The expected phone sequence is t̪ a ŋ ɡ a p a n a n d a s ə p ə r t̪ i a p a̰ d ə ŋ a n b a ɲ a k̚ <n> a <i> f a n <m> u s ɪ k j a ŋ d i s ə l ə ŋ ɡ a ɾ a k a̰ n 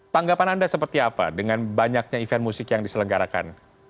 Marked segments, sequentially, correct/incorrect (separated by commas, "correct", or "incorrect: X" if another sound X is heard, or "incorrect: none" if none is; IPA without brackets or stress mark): incorrect: ɲ, correct, correct